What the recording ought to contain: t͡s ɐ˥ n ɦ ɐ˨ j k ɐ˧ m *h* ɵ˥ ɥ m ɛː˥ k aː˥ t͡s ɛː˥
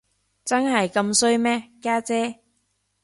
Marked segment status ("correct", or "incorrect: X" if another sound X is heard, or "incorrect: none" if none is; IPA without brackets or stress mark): incorrect: s